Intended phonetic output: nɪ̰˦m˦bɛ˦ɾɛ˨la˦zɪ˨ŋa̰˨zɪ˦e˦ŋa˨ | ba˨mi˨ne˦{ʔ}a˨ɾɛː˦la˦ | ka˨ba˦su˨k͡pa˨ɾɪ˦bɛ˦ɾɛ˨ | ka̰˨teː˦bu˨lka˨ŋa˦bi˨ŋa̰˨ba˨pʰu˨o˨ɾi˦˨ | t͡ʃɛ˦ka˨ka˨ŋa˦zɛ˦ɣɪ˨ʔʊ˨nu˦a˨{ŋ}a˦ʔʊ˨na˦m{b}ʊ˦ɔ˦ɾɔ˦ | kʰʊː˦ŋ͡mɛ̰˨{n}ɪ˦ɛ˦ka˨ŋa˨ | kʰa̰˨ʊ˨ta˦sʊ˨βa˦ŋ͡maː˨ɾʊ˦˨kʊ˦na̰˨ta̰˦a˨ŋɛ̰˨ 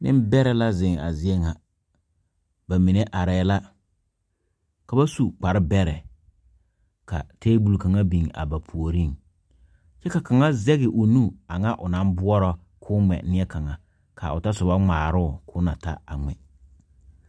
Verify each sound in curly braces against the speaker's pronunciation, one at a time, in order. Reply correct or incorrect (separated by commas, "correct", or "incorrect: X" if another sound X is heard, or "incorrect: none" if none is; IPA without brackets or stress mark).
correct, correct, correct, correct